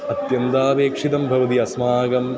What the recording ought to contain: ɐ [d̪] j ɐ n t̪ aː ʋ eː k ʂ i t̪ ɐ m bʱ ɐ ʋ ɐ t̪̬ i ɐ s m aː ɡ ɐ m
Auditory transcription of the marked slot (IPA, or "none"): t̪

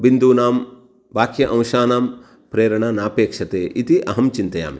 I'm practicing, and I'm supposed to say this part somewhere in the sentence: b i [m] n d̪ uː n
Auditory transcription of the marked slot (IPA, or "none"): none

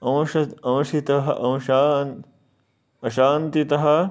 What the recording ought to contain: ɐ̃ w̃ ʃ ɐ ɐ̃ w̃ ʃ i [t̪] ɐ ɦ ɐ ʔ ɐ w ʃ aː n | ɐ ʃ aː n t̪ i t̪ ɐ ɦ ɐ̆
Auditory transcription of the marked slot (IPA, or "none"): t̪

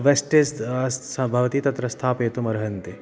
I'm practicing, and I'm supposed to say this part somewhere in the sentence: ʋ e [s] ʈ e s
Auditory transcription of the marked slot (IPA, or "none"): s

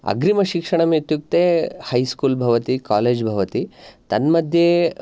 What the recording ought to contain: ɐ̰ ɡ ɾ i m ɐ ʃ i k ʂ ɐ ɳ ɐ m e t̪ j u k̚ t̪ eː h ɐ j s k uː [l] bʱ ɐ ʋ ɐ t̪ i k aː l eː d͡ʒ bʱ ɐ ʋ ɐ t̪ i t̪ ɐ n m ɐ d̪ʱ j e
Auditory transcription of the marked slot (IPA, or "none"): l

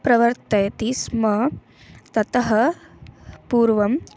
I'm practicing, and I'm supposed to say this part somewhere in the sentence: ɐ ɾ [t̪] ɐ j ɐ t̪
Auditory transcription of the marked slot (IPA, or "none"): t̪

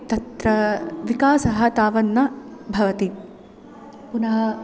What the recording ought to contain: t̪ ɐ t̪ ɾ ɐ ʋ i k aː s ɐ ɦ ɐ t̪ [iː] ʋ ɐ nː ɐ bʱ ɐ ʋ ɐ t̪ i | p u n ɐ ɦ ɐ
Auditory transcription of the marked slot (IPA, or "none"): aː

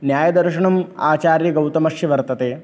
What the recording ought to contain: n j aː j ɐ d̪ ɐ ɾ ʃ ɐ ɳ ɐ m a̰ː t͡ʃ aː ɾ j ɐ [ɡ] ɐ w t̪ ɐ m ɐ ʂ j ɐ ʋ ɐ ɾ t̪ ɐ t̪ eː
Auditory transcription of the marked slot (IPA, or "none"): ɡ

